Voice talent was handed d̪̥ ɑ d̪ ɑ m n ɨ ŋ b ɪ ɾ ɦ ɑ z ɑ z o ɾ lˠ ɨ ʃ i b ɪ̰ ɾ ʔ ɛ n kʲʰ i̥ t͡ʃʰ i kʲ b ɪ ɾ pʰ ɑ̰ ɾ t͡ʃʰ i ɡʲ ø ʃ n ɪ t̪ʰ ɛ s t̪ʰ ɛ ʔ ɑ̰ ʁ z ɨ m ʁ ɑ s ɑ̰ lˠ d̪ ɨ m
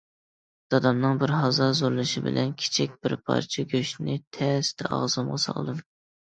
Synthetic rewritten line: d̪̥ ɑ d̪ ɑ m n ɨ ŋ b ɪ ɾ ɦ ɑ z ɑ z o ɾ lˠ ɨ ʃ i b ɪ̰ l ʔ ɛ n kʲʰ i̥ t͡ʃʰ i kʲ b ɪ ɾ pʰ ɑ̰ ɾ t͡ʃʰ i ɡʲ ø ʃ n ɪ t̪ʰ ɛ s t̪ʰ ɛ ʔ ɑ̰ ʁ z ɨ m ʁ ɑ s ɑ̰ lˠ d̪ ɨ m